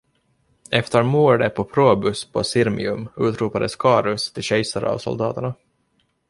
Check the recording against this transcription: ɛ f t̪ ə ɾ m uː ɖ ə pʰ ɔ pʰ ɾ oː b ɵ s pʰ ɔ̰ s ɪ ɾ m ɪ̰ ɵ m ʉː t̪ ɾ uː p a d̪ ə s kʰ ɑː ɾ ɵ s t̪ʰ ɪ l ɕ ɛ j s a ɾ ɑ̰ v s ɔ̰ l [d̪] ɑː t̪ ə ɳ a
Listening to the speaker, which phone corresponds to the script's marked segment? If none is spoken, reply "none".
d̪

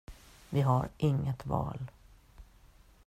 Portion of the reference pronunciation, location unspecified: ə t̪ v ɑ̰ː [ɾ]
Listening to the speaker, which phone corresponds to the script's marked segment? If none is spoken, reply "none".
l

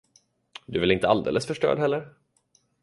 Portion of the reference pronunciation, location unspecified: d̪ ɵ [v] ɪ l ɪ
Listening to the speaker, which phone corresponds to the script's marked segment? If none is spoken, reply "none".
v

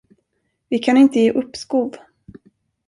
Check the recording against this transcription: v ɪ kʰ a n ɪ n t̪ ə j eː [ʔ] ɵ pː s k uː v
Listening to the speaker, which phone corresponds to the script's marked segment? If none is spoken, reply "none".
ʔ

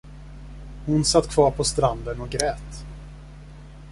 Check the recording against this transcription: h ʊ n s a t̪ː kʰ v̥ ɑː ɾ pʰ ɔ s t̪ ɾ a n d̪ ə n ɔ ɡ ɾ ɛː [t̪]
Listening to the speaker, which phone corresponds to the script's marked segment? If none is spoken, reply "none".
t̪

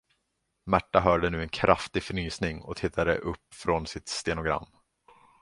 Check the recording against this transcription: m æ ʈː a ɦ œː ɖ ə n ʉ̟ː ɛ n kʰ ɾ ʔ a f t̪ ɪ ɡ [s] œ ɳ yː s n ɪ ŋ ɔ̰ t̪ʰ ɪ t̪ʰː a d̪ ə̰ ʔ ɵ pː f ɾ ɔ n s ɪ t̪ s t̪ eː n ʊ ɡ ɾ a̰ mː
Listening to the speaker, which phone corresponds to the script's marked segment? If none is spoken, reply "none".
f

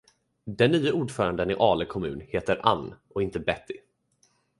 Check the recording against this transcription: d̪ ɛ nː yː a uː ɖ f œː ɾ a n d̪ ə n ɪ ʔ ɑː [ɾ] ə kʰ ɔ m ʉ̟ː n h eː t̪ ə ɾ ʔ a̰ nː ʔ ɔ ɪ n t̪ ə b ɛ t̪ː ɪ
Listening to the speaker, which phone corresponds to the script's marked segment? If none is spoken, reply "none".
l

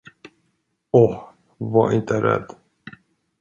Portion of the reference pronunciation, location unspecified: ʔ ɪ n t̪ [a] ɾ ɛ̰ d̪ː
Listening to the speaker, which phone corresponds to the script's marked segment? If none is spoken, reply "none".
ə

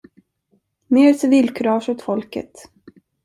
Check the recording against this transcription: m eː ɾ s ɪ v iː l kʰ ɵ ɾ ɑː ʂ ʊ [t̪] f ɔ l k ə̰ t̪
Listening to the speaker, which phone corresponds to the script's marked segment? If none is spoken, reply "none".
t̪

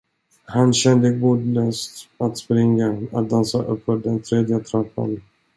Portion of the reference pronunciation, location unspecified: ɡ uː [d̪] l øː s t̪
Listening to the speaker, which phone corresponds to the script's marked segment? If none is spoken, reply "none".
d̪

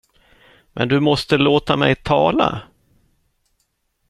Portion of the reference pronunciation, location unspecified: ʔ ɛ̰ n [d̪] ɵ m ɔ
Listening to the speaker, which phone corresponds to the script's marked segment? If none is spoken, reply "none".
d̪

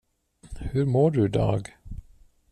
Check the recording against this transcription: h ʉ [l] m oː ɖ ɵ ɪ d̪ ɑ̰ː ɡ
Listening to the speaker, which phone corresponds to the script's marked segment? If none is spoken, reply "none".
ɾ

